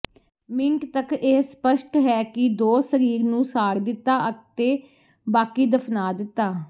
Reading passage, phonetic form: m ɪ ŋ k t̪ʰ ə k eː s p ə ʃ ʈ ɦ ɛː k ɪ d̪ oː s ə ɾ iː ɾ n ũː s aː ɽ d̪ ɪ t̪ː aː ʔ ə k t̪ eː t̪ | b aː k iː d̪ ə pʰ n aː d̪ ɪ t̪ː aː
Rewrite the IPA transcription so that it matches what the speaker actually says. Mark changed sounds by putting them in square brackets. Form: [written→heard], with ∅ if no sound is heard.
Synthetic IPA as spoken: m ɪ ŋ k [t̪ʰ→t̪] ə k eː s p ə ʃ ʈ ɦ ɛː k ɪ d̪ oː s ə ɾ iː ɾ n ũː s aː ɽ d̪ ɪ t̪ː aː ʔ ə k t̪ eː [t̪→∅] | b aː k iː d̪ ə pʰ n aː d̪ ɪ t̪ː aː